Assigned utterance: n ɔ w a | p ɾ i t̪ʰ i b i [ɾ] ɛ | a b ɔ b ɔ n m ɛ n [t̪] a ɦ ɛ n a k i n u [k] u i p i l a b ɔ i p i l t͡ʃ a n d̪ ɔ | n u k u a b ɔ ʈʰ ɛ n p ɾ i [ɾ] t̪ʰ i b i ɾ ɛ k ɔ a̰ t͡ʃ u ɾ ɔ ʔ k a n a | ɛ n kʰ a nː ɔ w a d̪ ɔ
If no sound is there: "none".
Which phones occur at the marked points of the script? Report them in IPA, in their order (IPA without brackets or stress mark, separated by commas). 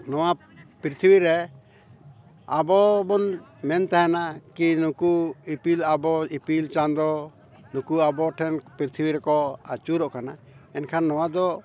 ɾ, t̪, k, ɾ